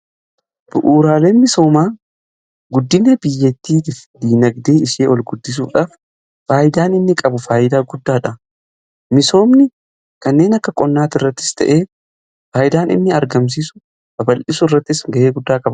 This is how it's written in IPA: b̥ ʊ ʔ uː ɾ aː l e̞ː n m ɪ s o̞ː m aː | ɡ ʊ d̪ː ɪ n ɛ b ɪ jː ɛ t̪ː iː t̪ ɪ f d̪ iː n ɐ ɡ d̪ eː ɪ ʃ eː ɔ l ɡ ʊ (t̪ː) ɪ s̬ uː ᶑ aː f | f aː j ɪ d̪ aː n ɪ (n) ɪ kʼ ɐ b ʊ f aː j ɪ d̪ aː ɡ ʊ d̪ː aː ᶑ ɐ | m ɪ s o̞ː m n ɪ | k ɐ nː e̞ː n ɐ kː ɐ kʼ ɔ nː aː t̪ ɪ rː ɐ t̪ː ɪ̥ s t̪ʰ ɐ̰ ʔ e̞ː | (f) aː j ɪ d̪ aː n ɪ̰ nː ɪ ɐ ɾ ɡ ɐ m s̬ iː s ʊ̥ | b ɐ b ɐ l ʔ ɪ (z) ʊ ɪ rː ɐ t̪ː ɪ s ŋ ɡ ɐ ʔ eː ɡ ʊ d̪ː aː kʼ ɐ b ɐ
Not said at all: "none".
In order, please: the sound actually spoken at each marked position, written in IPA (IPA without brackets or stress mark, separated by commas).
d̪ː, nː, f, s